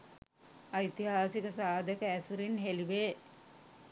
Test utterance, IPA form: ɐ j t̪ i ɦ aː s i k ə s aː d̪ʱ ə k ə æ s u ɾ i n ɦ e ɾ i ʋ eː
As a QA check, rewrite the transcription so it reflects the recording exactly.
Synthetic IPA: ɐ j t̪ i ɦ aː s i k ə s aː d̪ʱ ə k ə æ s u ɾ i n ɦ e l i ʋ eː